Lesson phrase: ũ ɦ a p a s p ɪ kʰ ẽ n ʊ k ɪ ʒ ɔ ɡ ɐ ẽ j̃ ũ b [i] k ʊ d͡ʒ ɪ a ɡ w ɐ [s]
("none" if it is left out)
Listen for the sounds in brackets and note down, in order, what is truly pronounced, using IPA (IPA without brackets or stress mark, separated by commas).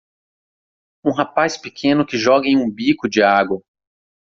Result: i, none